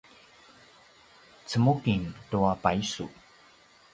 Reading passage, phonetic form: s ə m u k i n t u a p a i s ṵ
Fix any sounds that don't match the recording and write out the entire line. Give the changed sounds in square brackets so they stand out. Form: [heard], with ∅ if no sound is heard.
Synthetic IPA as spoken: [t͡s] ə m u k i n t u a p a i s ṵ